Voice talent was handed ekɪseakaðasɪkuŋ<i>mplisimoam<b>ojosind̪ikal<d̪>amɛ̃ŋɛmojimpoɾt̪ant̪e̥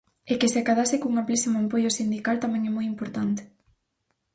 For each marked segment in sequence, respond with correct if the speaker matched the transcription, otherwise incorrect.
incorrect, incorrect, incorrect

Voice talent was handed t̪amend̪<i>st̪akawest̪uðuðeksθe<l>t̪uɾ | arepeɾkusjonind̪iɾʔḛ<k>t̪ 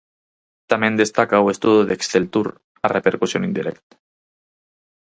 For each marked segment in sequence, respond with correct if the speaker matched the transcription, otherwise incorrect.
incorrect, correct, correct

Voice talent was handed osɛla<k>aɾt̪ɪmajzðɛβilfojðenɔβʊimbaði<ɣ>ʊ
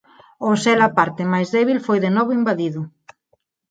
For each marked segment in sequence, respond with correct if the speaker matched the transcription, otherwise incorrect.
incorrect, incorrect

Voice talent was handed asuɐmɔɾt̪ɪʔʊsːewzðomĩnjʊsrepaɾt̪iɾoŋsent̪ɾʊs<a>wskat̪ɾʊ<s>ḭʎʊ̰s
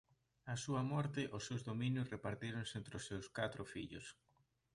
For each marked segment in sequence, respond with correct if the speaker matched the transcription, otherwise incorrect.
incorrect, incorrect

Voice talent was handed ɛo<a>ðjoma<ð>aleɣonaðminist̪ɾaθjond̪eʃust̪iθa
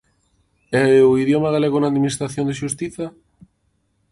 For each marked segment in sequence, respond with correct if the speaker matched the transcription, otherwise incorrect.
incorrect, incorrect

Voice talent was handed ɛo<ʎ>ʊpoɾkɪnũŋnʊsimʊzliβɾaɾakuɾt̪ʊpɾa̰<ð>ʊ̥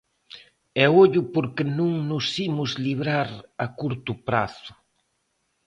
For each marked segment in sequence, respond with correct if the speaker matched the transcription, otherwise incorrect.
correct, incorrect

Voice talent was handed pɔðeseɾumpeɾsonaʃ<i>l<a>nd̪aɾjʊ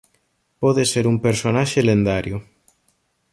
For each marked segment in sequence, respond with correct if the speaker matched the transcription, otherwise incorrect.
incorrect, incorrect

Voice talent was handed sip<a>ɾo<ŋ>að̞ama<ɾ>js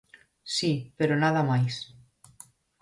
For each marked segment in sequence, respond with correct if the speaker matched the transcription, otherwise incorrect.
incorrect, incorrect, incorrect

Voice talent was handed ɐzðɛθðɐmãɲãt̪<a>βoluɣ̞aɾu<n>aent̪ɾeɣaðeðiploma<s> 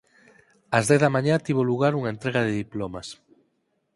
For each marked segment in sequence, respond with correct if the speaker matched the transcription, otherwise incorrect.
incorrect, incorrect, correct

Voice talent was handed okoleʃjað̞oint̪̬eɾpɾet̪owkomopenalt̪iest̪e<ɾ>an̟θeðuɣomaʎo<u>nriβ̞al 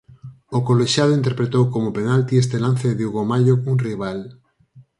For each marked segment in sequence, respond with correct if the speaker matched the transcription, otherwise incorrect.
incorrect, correct

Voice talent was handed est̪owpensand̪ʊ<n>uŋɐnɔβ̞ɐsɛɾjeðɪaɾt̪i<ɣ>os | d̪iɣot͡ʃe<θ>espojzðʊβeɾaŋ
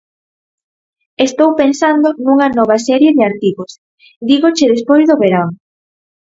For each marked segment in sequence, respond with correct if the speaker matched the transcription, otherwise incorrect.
correct, correct, incorrect

